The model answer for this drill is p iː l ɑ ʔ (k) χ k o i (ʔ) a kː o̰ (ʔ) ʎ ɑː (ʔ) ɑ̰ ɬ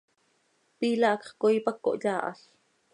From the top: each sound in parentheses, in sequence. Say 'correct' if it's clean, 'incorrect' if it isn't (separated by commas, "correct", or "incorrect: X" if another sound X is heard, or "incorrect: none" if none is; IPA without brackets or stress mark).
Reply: correct, incorrect: p, correct, correct